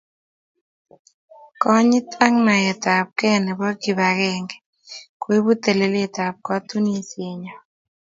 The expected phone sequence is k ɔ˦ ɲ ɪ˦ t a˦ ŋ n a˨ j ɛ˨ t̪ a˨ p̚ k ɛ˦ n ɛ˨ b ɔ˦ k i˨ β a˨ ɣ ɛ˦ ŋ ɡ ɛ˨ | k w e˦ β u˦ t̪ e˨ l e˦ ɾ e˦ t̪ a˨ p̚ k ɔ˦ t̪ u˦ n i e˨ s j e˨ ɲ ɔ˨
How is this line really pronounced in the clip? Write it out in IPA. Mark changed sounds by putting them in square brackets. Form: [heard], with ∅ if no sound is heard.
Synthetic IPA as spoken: k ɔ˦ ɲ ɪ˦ t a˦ ŋ n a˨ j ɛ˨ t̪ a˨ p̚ k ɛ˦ n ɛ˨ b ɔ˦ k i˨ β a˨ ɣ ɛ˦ ŋ ɡ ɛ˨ | k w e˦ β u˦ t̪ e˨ l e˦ [l] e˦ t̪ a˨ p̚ k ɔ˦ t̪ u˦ n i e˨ s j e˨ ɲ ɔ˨